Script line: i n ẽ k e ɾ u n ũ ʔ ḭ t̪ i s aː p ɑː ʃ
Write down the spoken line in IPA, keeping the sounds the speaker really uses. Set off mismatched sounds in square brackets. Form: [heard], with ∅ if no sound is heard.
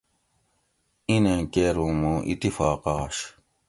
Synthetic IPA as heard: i n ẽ k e ɾ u [m] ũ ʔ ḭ t̪ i [f] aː [q] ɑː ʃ